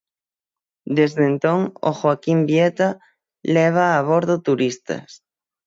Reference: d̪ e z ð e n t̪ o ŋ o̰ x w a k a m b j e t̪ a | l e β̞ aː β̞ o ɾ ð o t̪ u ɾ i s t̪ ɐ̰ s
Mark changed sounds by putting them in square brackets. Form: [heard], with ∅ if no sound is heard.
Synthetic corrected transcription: d̪ e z ð e n t̪ o ŋ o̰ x w a k [i] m b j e t̪ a | l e β̞ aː β̞ o ɾ ð o t̪ u ɾ i s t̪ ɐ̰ s